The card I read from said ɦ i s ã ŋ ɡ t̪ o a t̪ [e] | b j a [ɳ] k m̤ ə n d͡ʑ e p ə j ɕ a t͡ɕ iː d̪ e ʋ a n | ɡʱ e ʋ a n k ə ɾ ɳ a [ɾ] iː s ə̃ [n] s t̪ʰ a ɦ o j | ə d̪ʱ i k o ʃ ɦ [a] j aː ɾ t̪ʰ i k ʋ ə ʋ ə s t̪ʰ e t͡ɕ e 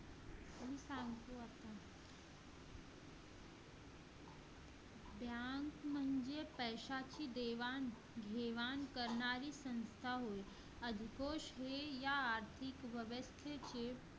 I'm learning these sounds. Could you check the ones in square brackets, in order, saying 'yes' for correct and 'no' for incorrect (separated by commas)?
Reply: no, no, yes, yes, no